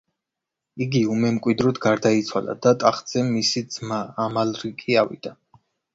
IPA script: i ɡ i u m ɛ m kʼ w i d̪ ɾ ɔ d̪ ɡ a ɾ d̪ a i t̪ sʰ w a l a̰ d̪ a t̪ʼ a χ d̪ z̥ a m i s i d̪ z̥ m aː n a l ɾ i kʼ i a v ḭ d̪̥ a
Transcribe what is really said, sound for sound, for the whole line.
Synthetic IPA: i ɡ i u m ɛ m kʼ w i d̪ ɾ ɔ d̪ ɡ a ɾ d̪ a i t̪ sʰ w a l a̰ d̪ a t̪ʼ a χ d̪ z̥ ɛ m i s i d̪ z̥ m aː m a l ɾ i kʼ i a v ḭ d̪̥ a